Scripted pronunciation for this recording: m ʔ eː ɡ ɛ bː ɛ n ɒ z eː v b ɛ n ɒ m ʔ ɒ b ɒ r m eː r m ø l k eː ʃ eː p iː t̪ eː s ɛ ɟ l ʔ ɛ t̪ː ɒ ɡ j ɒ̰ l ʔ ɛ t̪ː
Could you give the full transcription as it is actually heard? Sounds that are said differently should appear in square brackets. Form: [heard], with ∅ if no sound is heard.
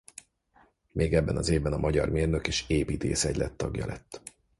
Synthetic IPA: m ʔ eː ɡ ɛ bː ɛ n ɒ z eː v b ɛ n ɒ m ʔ ɒ [ɟ] ɒ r m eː r [n] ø [∅] k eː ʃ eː p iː t̪ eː s ɛ ɟ l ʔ ɛ t̪ː ɒ ɡ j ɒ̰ l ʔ ɛ t̪ː